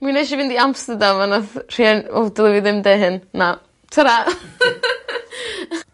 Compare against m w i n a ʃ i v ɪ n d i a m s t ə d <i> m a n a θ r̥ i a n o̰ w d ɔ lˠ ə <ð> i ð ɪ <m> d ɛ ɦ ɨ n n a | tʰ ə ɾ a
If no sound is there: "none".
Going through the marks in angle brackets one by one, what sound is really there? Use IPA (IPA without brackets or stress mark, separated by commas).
a, v, m